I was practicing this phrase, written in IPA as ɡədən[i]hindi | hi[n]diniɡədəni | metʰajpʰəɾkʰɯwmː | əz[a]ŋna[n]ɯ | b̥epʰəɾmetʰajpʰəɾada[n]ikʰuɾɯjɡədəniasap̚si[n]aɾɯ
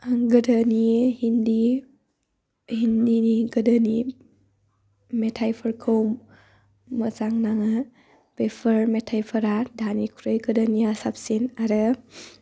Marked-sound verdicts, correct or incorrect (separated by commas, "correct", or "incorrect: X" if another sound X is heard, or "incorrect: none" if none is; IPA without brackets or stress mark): correct, correct, correct, incorrect: ŋ, correct, correct